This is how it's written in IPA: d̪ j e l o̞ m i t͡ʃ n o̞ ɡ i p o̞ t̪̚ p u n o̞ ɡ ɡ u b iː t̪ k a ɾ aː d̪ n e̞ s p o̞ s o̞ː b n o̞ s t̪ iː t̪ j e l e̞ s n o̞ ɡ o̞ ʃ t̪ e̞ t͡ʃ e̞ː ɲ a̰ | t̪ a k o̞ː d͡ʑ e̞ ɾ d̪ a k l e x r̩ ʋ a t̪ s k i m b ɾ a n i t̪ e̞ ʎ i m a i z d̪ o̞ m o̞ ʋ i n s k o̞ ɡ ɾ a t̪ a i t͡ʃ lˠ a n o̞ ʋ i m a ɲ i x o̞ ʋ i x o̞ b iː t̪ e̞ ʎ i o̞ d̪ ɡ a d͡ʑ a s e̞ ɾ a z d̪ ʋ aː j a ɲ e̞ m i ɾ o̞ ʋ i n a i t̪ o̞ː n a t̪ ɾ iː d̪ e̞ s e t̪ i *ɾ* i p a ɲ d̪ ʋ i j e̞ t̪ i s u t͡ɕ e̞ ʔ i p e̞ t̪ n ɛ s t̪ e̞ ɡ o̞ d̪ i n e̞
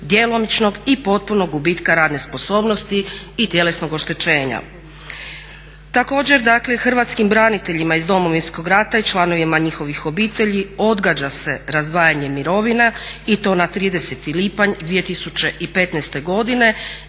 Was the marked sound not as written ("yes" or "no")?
yes